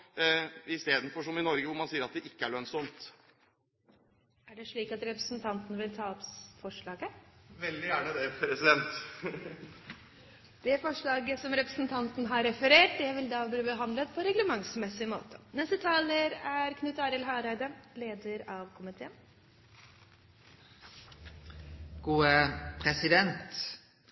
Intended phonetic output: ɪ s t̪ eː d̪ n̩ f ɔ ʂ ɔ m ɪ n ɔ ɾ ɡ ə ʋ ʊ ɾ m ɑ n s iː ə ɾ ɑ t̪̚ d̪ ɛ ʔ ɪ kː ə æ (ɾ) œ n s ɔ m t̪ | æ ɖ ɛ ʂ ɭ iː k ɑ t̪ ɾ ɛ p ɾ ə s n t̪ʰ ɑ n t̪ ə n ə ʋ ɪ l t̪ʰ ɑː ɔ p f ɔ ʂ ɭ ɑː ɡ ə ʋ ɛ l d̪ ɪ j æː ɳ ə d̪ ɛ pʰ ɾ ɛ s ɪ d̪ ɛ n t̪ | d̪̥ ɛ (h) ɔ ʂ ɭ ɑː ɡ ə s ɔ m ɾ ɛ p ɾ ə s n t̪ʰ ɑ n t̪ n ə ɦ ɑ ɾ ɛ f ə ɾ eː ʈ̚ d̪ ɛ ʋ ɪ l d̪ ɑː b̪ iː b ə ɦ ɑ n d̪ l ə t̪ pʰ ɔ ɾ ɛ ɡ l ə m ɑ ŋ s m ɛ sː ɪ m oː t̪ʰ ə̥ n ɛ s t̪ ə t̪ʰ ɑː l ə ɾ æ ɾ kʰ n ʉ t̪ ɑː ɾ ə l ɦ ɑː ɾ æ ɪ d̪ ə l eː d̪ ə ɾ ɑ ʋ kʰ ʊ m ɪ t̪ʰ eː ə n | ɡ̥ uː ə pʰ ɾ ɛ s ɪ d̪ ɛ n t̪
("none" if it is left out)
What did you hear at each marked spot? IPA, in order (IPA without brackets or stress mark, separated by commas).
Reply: ɭ, f